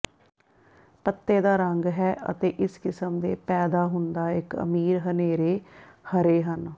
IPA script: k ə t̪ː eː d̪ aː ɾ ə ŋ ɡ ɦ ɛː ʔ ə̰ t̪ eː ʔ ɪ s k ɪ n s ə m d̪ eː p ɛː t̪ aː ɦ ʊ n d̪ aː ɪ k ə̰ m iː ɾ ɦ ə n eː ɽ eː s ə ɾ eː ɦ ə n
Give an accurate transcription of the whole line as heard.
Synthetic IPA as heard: p ə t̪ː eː d̪ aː ɾ ə ŋ ɡ ɦ ɛː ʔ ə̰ t̪ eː ʔ ɪ s k ɪ s ə m d̪ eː p ɛː d̪ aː ɦ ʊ n d̪ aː ɪ k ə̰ m iː ɾ ɦ ə n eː ɾ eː h ə ɾ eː ɦ ə n

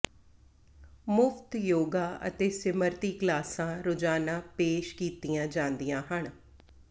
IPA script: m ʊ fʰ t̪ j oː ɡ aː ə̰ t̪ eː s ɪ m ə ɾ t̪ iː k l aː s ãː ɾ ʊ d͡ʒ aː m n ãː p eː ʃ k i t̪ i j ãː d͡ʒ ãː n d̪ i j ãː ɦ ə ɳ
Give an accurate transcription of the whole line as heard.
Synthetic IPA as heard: m ʊ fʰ t̪ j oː ɡ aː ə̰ t̪ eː s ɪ m ə ɾ t̪ iː k l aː s ãː ɾ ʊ d͡ʒ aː n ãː p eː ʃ k iː t̪ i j ãː d͡ʒ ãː n d̪ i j ãː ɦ ə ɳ

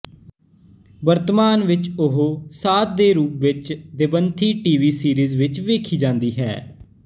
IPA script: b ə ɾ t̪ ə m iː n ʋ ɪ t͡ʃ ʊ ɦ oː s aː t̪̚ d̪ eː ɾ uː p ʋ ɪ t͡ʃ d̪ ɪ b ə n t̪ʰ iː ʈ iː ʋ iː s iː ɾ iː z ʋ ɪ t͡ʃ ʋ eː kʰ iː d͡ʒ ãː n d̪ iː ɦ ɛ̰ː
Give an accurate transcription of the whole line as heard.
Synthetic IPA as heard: b ə ɾ t̪ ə m aː n ʋ ɪ t͡ʃ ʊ ɦ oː s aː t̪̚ d̪ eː ɾ uː p ʋ ɪ t͡ʃ d̪ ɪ b ə n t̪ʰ iː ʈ iː ʋ iː s iː ɾ iː z ʋ ɪ t͡ʃ ʋ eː kʰ iː d͡ʒ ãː n d̪ iː ɦ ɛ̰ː

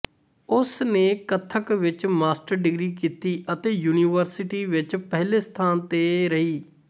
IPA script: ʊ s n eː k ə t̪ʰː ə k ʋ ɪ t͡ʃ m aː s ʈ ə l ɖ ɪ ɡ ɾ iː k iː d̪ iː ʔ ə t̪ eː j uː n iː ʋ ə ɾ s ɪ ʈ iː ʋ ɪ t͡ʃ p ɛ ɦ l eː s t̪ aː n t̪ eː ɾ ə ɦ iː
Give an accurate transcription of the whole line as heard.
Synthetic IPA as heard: ʊ s n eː k ə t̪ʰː ə k ʋ ɪ t͡ʃ m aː s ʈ ə ɾ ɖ ɪ ɡ ɾ iː k iː t̪ iː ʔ ə t̪ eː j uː n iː ʋ ə ɾ s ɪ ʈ iː ʋ ɪ t͡ʃ p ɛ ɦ l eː s t̪ʰ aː n t̪ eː ɾ ə ɦ iː

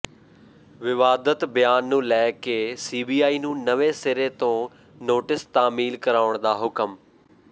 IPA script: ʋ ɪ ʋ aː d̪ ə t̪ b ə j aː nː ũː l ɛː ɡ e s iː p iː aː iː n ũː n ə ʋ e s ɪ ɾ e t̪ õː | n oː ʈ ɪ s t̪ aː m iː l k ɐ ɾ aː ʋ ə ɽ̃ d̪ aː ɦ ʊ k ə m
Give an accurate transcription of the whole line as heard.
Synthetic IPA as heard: ʋ ɪ ʋ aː d̪ ə t̪ b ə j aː nː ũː l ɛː k e s iː b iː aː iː n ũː n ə ʋ e s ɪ ɾ e t̪ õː | n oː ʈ ɪ s t̪ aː m iː l k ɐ ɾ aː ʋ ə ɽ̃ d̪ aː ɦ ʊ k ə m

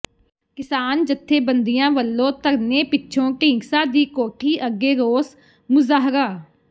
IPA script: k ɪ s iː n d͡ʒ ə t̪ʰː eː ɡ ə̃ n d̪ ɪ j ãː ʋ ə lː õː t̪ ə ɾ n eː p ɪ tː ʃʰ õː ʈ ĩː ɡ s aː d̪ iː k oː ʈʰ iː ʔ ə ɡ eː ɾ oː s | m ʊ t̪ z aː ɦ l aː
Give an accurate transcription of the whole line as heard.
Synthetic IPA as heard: k ɪ s aː n d͡ʒ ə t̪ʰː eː b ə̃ n d̪ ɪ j ãː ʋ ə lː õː t̪ ə ɾ n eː p ɪ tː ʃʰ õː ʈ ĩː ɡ s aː d̪ iː k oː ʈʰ iː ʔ ə ɡ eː ɾ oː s | m ʊ z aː ɦ ɾ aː

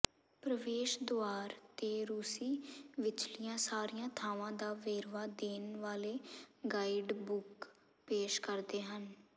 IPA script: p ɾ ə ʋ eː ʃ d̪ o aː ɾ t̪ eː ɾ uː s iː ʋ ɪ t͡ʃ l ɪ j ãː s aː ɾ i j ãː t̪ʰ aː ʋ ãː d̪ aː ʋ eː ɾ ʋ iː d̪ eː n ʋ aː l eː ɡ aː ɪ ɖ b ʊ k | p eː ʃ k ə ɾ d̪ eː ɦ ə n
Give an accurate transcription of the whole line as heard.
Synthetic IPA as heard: p ɾ ə ʋ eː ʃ d̪ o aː ɾ t̪ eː ɾ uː s iː ʋ ɪ t͡ʃ l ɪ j ãː s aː ɾ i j ãː t̪ʰ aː ʋ ãː d̪ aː ʋ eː ɾ ʋ aː d̪ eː n ʋ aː l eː ɡ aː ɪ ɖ b ʊ k | p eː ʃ k ə ɾ d̪ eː ɦ ə n

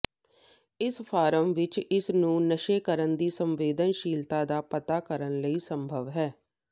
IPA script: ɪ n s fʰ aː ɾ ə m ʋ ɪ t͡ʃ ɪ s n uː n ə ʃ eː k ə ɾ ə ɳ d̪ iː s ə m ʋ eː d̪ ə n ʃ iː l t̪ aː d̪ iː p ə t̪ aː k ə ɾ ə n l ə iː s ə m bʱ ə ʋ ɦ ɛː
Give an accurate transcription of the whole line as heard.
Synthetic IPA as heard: ɪ s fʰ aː ɾ ə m ʋ ɪ t͡ʃ ɪ s n ũː n ə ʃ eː k ə ɾ ə n d̪ iː s ə m ʋ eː d̪ ə n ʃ iː l t̪ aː d̪ aː p ə t̪ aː k ə ɾ ə n l ə iː s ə m bʱ ə ʋ ɦ ɛː

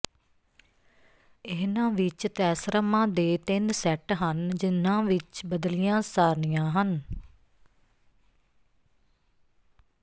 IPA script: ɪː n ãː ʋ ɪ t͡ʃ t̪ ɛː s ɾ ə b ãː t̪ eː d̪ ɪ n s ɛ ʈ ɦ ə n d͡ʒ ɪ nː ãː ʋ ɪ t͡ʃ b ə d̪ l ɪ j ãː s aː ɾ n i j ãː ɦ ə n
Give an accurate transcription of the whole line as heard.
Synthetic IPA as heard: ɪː n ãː ʋ ɪ t͡ʃ t̪ ɛː s ɾ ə m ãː d̪ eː t̪ ɪ n s ɛ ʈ ɦ ə n d͡ʒ ɪ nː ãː ʋ ɪ t͡ʃ b ə d̪ l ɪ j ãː s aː ɾ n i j ãː ɦ ə n

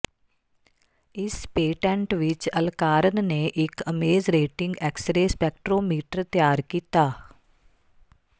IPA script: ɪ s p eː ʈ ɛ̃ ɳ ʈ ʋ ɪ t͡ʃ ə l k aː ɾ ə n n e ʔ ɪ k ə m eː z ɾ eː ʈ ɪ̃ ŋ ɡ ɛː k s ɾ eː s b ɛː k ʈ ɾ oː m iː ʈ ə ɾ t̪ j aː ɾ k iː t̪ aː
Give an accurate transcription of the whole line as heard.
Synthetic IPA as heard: ɪ s p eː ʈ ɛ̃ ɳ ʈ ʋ ɪ t͡ʃ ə l k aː ɾ ə n n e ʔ ɪ k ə m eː z ɾ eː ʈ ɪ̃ ŋ ɡ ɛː k s ɾ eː s p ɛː k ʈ ɾ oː m iː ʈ ə ɾ t̪ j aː ɾ k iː t̪ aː

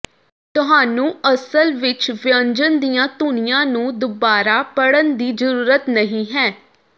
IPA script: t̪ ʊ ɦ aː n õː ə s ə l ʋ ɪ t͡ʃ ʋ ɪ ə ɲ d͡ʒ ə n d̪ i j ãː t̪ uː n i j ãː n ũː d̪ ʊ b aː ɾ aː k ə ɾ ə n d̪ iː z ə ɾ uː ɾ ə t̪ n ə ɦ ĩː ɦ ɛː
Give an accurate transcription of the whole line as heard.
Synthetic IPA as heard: t̪ ʊ ɦ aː n ũː ə s ə l ʋ ɪ t͡ʃ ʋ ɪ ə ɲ d͡ʒ ə n d̪ i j ãː t̪ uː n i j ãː n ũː d̪ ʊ b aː ɾ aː p ə ɽ ə n d̪ iː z ə ɾ uː ɾ ə t̪ n ə ɦ ĩː ɦ ɛː

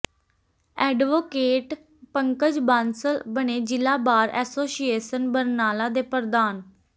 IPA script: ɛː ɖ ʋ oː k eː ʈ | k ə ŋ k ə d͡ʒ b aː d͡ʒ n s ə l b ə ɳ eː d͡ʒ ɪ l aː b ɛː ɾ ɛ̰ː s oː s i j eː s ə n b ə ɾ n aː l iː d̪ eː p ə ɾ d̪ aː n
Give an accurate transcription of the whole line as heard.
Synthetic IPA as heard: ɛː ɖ ʋ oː k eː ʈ | p ə ŋ k ə d͡ʒ b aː n s ə l b ə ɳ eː d͡ʒ ɪ l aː b aː ɾ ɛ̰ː s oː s i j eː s ə n b ə ɾ n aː l aː d̪ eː p ə ɾ d̪ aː n

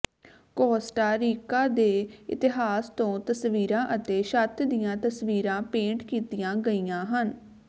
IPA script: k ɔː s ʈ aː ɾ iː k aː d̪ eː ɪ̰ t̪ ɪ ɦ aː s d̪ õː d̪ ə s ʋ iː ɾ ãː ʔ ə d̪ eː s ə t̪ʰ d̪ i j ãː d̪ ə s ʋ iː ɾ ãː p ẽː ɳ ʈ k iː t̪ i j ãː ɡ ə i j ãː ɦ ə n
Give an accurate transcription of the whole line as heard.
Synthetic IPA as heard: k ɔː s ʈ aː ɾ iː k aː d̪ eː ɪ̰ t̪ ɪ ɦ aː s t̪ õː t̪ ə s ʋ iː ɾ ãː ʔ ə t̪ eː ʃ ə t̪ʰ d̪ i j ãː t̪ ə s ʋ iː ɾ ãː p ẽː ɳ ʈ k iː t̪ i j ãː ɡ ə i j ãː ɦ ə n

